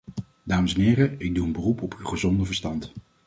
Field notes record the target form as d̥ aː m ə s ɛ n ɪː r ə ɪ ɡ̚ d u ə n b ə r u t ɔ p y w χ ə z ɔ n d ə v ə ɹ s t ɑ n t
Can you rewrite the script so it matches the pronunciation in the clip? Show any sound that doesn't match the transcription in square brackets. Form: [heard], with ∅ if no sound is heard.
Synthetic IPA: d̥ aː m ə s ɛ n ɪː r ə ɪ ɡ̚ d u ə n b ə r u [p] ɔ p y w χ ə z ɔ n d ə v ə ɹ s t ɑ n t